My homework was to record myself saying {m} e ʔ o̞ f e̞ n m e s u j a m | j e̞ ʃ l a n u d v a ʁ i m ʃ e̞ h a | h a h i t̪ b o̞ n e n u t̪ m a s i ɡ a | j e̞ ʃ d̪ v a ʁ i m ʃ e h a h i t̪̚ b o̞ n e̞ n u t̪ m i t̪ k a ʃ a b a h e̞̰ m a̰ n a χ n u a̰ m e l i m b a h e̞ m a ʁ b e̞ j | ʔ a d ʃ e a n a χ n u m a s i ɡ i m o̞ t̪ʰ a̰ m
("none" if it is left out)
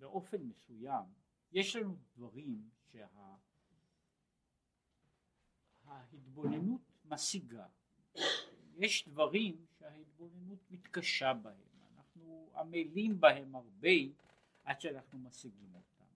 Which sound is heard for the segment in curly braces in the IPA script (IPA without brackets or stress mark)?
b